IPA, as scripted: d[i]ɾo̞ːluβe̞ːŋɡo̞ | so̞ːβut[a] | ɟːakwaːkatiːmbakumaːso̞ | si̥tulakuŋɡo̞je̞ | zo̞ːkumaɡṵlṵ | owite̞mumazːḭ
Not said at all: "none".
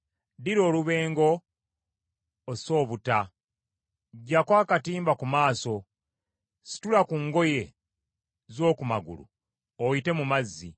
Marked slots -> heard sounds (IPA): i, a

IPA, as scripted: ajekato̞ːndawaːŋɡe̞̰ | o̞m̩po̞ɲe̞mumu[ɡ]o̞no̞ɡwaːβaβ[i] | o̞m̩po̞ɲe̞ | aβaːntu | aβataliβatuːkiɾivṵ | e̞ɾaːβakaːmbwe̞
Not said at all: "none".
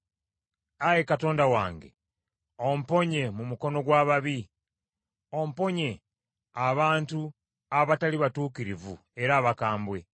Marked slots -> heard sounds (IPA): k, i

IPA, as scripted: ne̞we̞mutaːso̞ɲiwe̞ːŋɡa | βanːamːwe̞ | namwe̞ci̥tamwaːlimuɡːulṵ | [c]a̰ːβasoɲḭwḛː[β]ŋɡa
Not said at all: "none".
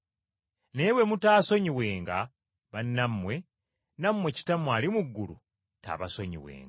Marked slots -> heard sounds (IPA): t, none

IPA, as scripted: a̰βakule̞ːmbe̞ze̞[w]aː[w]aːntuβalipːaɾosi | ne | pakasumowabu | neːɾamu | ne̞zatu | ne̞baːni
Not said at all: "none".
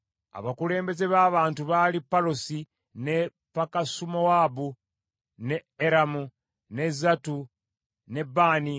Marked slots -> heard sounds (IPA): β, β

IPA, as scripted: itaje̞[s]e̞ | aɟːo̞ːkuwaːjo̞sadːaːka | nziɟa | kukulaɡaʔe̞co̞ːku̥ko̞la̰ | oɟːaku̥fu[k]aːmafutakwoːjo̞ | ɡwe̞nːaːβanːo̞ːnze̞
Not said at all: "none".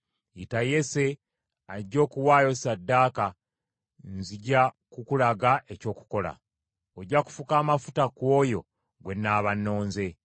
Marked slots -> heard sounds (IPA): s, k

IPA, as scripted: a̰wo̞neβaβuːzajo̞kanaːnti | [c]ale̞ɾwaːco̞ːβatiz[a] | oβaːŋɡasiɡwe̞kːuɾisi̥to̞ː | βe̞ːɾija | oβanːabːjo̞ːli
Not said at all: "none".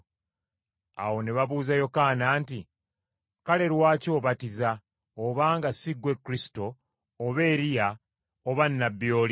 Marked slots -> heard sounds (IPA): k, a

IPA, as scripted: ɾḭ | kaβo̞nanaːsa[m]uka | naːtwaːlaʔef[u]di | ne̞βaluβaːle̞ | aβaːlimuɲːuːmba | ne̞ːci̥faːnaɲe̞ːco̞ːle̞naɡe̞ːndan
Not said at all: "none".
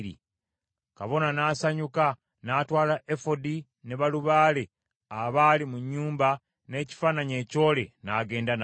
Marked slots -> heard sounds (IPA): ɲ, o

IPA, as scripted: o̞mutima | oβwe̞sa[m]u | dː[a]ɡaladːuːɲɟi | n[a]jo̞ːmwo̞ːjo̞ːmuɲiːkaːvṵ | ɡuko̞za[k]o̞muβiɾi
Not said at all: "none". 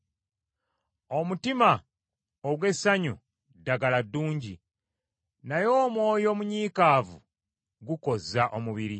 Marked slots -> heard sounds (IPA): ɲ, a, a, ʔ

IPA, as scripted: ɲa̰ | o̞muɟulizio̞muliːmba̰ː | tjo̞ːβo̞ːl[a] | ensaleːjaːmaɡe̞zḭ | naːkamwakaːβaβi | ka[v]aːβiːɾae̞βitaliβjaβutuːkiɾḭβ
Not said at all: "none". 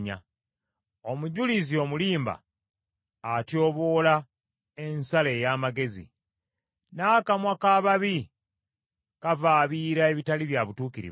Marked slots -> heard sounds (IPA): a, v

